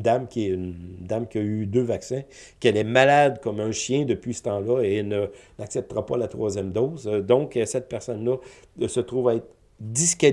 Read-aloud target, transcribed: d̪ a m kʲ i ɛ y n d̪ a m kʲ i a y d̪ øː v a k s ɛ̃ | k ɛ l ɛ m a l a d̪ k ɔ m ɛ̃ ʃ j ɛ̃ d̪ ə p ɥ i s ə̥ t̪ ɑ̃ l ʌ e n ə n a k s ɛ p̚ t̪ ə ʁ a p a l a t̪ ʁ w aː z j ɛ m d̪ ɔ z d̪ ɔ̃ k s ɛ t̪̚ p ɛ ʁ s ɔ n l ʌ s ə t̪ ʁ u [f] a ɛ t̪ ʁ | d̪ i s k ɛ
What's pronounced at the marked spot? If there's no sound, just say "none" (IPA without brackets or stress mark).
v